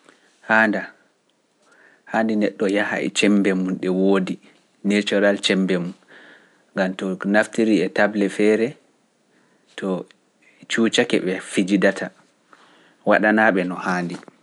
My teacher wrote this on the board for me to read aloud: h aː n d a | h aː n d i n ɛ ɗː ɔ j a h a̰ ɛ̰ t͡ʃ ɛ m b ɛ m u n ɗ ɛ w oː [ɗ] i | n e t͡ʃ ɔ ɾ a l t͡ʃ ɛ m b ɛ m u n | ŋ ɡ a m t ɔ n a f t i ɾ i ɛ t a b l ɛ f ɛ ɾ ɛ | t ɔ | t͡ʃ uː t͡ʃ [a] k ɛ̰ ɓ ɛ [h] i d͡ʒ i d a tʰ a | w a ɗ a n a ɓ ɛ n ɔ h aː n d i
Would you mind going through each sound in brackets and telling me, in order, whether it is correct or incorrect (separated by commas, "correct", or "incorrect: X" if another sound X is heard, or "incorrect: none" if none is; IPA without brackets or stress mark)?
incorrect: d, correct, incorrect: f